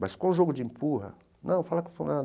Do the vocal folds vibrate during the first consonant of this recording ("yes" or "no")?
yes